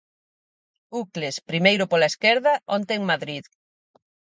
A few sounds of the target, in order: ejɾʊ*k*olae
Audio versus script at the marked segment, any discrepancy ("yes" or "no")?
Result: yes